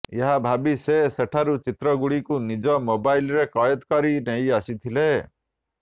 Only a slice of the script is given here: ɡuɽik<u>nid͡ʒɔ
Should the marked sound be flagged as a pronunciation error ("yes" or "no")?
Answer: no